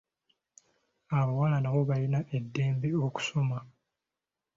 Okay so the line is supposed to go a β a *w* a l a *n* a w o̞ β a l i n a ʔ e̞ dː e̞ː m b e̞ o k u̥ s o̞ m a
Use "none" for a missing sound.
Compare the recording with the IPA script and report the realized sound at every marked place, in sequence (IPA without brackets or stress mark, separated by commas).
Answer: w, n